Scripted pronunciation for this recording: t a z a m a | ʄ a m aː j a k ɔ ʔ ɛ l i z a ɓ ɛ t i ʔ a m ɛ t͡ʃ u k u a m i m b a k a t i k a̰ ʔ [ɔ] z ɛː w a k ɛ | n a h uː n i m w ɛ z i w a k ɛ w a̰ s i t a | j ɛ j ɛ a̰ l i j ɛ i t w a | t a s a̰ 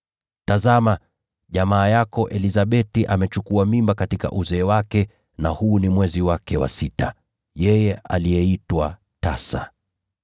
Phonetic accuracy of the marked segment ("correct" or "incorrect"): incorrect